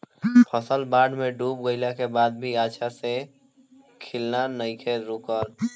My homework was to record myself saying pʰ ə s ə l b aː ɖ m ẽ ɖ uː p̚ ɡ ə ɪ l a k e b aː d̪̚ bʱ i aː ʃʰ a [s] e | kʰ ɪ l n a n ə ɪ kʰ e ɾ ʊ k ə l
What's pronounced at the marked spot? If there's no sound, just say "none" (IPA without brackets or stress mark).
s